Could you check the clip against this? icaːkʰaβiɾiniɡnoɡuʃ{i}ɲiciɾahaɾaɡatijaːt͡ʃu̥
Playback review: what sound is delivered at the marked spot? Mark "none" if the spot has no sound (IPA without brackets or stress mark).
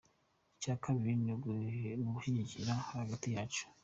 i